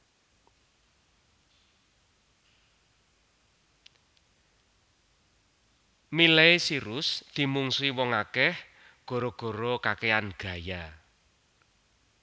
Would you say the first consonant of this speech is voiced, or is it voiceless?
voiced